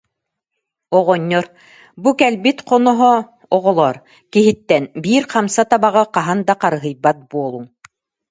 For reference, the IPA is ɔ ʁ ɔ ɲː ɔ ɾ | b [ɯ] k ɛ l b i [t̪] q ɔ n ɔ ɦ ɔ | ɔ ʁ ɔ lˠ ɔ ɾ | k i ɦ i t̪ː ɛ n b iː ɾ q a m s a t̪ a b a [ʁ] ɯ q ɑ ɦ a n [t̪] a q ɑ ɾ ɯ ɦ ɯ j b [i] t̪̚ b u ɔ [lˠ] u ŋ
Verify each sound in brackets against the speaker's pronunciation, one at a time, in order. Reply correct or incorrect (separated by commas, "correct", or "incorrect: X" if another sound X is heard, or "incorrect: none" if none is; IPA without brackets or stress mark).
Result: incorrect: u, correct, correct, incorrect: d̪, incorrect: a, correct